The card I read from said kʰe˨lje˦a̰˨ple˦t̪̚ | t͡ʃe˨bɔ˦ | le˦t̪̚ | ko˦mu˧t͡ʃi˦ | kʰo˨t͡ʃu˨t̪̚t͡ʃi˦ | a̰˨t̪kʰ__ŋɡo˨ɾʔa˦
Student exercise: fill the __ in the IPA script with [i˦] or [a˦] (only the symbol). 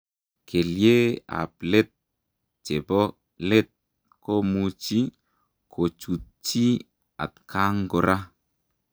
a˦